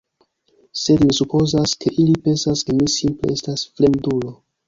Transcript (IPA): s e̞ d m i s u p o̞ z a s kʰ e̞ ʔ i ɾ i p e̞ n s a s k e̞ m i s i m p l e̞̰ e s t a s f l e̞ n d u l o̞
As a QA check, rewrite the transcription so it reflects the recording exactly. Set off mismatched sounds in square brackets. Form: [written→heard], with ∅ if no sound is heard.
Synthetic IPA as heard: s e̞ d m i s u p o̞ z a s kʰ e̞ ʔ i [ɾ→l] i p e̞ n s a s k e̞ m i s i m p l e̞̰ e s t a s f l e̞ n d u l o̞